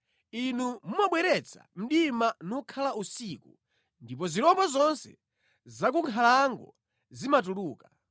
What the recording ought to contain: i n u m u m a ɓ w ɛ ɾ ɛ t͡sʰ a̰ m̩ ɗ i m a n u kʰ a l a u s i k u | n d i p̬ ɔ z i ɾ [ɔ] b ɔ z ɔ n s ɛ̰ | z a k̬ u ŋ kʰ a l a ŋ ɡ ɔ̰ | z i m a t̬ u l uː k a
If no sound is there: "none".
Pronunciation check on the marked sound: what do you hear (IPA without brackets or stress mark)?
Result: ɔ